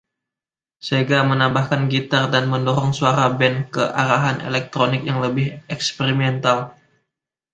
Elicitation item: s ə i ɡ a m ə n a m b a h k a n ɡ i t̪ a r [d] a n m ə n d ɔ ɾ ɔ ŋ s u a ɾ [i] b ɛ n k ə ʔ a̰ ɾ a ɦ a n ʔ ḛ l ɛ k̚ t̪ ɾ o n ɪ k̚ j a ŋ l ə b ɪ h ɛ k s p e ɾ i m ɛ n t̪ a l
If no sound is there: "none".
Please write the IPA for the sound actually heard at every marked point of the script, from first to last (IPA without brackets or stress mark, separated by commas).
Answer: d, a